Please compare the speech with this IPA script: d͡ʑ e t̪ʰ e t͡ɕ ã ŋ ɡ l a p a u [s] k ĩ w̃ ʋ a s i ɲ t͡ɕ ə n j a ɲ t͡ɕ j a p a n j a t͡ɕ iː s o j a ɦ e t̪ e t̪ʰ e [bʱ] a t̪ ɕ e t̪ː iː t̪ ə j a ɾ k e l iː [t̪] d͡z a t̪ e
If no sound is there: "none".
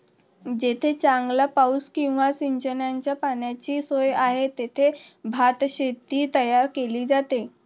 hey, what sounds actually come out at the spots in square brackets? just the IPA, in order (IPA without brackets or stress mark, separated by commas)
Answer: s, bʱ, none